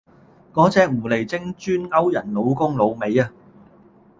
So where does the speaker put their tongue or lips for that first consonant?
velum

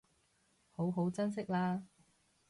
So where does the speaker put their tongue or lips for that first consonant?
throat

